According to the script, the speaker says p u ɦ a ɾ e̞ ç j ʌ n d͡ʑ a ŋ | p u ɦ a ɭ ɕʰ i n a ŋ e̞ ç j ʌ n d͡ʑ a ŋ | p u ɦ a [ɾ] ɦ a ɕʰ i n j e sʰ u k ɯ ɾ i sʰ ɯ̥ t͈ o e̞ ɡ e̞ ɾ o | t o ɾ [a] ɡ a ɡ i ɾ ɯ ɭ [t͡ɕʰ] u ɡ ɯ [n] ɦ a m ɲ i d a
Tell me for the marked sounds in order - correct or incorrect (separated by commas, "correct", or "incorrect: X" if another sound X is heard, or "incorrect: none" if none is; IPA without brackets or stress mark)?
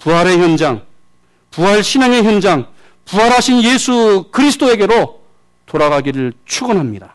correct, correct, correct, correct